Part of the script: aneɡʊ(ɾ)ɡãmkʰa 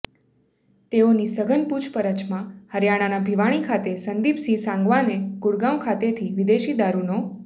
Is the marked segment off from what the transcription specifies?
yes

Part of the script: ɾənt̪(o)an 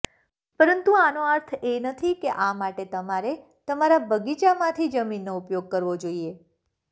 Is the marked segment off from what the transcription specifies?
yes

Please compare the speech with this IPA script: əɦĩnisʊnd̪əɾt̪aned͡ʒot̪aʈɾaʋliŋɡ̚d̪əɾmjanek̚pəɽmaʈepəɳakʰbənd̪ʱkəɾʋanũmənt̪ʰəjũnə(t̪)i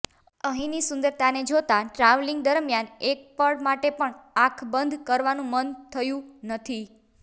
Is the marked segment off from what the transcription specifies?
yes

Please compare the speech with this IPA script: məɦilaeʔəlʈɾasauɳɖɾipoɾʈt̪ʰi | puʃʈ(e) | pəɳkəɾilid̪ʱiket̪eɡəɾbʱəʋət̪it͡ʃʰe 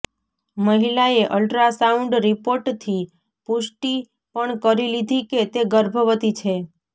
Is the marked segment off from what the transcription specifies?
yes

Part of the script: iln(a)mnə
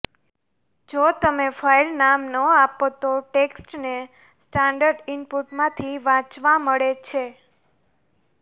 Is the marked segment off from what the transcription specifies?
no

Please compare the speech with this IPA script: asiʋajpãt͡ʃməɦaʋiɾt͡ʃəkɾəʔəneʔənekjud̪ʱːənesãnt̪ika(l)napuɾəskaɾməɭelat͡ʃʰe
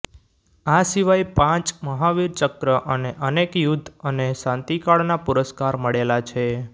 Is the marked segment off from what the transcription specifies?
yes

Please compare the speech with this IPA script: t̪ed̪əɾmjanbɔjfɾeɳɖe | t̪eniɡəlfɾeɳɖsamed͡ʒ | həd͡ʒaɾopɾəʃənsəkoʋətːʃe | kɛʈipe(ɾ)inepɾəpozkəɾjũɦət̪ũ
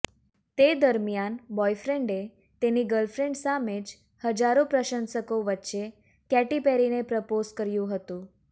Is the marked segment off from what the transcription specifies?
no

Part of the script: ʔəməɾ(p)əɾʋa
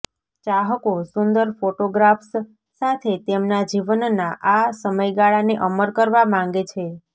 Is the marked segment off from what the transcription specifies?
yes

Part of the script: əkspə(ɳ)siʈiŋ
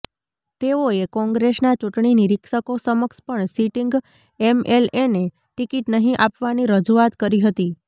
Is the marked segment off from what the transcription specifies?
no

